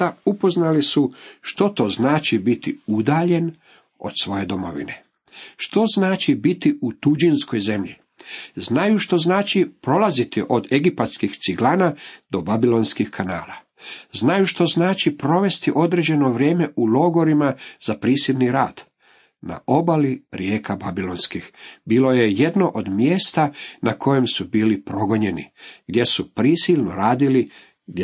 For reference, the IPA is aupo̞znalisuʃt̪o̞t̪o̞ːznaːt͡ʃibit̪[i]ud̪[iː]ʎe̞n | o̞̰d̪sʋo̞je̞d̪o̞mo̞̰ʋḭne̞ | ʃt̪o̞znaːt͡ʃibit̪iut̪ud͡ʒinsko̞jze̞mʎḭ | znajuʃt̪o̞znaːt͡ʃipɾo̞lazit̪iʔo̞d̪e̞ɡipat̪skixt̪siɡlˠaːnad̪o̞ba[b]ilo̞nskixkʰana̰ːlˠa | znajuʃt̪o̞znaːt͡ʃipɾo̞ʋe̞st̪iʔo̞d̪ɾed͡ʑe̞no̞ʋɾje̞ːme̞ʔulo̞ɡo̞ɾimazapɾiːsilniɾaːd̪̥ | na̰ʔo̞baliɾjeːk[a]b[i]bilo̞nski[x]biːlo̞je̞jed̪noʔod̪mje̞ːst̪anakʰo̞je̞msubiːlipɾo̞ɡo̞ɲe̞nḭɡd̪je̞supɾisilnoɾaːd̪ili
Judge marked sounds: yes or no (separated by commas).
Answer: yes, no, yes, yes, no, yes